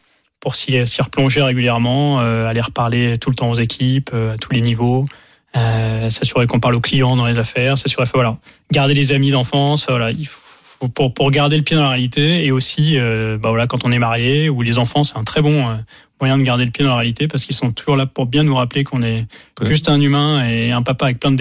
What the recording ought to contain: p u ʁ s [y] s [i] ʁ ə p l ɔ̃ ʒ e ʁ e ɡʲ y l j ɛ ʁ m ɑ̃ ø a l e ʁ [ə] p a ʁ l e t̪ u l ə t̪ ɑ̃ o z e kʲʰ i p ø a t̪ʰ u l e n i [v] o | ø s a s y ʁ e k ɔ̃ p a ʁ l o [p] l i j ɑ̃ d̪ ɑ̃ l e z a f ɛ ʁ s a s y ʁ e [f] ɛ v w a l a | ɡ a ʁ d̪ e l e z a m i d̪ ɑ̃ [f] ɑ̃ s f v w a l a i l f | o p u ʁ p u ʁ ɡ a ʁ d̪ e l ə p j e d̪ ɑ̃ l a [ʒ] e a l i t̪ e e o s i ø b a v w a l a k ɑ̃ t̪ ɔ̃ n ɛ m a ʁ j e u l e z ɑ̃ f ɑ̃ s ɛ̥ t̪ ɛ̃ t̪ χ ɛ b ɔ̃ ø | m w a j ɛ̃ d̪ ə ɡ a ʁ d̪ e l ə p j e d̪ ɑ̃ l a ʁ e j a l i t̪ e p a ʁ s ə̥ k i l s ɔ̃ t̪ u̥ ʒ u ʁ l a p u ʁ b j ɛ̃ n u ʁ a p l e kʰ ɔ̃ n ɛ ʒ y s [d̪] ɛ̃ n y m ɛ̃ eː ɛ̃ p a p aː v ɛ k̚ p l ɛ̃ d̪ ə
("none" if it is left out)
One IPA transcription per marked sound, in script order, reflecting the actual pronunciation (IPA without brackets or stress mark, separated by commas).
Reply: i, i, ə, v, k, f, f, ʁ, t̪